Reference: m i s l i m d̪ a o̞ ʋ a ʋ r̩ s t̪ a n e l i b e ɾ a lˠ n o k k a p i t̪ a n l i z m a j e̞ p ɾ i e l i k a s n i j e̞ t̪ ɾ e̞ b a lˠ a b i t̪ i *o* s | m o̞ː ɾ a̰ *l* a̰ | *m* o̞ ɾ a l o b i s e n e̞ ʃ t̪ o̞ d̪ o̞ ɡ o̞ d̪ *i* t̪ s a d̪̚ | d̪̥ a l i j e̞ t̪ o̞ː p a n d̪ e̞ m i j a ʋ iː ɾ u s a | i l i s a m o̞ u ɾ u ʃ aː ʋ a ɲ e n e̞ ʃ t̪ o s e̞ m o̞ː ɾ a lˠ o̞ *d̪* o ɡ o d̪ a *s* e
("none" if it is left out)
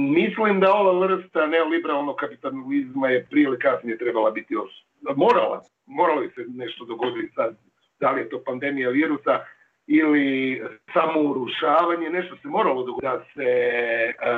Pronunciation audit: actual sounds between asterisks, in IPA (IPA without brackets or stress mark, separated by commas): o, l, m, i, d̪, s